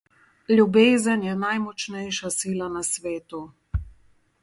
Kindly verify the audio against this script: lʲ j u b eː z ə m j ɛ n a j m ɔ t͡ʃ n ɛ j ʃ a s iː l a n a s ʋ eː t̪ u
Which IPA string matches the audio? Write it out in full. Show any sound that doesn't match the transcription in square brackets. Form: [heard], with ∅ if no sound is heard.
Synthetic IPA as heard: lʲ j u b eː z ə [n] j ɛ n a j m ɔ t͡ʃ n ɛ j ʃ a s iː l a n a s ʋ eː t̪ u